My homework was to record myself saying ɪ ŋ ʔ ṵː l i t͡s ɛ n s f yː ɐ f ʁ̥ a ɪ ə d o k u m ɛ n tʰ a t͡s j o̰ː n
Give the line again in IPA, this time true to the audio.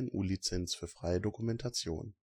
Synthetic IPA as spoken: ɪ n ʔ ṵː l i t͡s ɛ n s f yː ɐ f ʁ̥ a ɪ ə d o k u m ɛ n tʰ a t͡s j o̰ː n

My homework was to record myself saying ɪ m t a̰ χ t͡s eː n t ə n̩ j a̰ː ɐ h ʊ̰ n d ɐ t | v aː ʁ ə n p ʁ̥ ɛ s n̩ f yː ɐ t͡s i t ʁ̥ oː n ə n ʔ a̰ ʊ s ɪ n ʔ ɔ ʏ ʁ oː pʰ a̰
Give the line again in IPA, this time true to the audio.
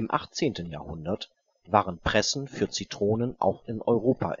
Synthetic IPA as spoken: ɪ m ʔ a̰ χ t͡s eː n t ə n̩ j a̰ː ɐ h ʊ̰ n d ɐ t | v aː ʁ ə n p ʁ̥ ɛ s n̩ f yː ɐ t͡s i t ʁ̥ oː n ə n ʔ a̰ ʊ x ɪ n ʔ ɔ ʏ ʁ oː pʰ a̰

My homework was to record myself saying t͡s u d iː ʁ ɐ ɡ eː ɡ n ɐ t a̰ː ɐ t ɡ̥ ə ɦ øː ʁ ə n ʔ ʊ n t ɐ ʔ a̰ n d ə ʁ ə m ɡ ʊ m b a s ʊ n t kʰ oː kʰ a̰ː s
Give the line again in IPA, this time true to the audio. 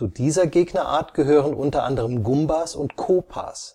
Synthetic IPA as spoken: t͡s u d iː z ɐ ɡ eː ɡ n ɐ ʔ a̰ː ɐ t ɡ̥ ə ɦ øː ʁ ə n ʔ ʊ n t ɐ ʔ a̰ n d ə ʁ ə m ɡ ʊ m b a s ʊ n t kʰ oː pʰ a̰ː s

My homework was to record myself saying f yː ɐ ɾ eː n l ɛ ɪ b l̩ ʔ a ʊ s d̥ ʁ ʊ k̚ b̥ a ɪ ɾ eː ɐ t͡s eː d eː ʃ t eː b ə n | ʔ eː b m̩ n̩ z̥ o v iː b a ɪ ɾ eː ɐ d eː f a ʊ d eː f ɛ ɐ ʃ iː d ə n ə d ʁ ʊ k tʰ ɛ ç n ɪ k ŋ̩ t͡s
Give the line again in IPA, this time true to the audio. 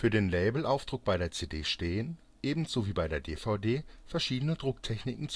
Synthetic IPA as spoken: f yː ɐ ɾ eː n l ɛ ɪ b l̩ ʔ a ʊ f d̥ ʁ ʊ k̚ b̥ a ɪ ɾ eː ɐ t͡s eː d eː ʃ t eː ə n | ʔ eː b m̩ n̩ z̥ o v iː b a ɪ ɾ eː ɐ d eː f a ʊ d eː f ɛ ɐ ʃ iː d ə n ə d ʁ ʊ k tʰ ɛ ç n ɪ k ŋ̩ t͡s

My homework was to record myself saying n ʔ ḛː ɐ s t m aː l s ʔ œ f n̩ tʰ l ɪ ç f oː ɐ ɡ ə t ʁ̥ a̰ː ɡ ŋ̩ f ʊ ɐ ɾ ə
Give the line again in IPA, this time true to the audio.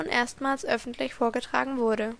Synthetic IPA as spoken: n ʔ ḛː ɐ s t m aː l s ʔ œ f n̩ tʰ l ɪ ç f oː ɐ ɡ ə t ʁ̥ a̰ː ɡ ŋ̩ v ʊ ɐ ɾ ə

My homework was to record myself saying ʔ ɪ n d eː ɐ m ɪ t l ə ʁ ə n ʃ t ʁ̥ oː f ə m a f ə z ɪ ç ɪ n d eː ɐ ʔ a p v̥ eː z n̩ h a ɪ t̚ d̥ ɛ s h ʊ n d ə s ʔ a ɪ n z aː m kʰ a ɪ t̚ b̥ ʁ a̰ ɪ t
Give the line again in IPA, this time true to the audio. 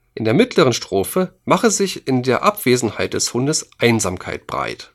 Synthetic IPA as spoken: ʔ ɪ n d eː ɐ m ɪ t l ə ʁ ə n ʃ t ʁ̥ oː f ə m a χ ə z ɪ ç ɪ n d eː ɐ ʔ a p v̥ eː z n̩ h a ɪ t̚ d̥ ɛ s h ʊ n d ə s ʔ a ɪ n z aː m kʰ a ɪ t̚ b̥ ʁ a̰ ɪ t

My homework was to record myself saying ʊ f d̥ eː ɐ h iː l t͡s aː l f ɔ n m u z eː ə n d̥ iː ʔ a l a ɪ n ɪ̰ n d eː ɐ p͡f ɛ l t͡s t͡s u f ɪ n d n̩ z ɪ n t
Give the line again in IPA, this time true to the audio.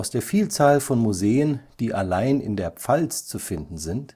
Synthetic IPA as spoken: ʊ s d̥ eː ɐ f iː l t͡s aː l f ɔ n m u z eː ə n d̥ iː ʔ a l a ɪ n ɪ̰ n d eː ɐ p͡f a l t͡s t͡s u f ɪ n d n̩ z ɪ n t

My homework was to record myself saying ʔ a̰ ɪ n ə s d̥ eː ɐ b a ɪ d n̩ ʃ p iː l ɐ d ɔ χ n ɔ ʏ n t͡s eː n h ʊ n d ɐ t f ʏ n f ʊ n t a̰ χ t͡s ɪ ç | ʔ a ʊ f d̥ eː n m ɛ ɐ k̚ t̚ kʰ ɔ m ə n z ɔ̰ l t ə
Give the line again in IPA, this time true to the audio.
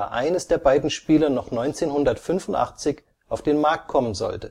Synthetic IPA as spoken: ʔ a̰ ɪ n ə s d̥ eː ɐ b a ɪ d n̩ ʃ p iː l ɐ n ɔ χ n ɔ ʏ n t͡s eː n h ʊ n d ɐ t f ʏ n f ʊ n t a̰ χ t͡s ɪ ç | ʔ a ʊ f d̥ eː n m a ɐ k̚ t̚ kʰ ɔ m ə n z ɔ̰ l t ə

